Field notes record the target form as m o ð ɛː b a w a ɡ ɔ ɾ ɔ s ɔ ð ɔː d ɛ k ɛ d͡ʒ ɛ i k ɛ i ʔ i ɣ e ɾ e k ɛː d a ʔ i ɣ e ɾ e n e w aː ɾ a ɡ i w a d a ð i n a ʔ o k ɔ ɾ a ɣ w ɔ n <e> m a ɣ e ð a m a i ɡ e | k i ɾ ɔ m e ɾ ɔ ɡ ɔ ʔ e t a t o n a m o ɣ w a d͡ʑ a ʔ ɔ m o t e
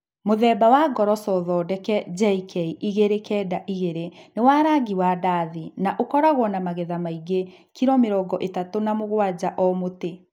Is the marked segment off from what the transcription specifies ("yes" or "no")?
yes